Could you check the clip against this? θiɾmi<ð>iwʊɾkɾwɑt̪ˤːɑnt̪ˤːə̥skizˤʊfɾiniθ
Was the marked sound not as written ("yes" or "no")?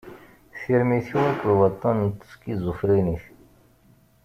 yes